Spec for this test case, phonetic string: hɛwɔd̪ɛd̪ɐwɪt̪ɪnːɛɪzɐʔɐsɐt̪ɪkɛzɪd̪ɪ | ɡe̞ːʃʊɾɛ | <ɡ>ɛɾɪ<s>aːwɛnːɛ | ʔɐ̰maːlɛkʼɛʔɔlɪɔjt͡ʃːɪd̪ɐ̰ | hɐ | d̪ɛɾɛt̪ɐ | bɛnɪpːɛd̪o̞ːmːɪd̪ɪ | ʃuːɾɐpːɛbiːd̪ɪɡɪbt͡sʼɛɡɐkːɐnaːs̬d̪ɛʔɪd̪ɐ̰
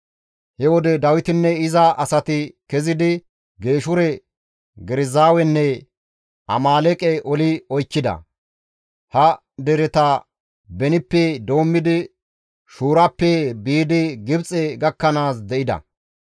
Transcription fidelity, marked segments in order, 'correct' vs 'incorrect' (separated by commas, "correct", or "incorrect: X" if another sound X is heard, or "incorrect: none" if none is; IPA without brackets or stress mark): correct, incorrect: z